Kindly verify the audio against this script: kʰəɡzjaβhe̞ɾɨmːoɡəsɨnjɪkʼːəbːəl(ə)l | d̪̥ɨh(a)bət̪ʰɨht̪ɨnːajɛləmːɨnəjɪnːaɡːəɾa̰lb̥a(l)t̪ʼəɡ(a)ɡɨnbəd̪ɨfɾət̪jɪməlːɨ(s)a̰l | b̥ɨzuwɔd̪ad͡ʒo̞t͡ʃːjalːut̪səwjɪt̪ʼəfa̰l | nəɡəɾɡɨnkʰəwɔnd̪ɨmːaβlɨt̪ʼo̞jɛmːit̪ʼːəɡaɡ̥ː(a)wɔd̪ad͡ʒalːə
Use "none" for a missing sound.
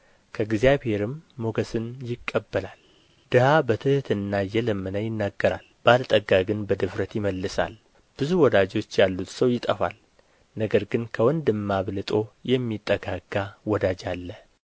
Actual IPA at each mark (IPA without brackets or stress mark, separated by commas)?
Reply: a, a, l, a, s, a